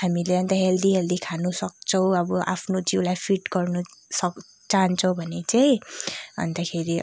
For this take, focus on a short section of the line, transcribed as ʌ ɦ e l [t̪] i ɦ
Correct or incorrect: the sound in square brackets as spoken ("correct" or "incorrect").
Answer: incorrect